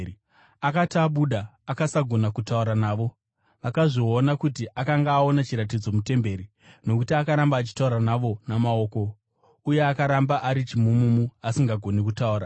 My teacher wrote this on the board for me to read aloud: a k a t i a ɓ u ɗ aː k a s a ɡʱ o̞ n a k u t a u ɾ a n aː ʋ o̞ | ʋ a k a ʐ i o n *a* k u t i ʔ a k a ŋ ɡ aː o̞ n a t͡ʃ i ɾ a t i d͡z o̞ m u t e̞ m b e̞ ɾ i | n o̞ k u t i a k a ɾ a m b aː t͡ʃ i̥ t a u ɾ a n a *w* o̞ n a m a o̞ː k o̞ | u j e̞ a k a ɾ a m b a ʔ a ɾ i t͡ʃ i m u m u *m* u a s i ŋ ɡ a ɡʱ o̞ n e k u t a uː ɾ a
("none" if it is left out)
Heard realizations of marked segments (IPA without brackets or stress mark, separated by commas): a, ʋ, m